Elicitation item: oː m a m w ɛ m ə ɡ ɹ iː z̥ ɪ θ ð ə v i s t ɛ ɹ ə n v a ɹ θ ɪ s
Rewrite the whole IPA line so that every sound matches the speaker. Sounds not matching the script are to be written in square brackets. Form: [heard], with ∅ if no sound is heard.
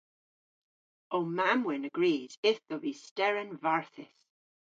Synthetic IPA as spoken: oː m a m w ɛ [n] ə ɡ ɹ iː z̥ ɪ θ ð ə v i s t ɛ ɹ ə n v a ɹ θ ɪ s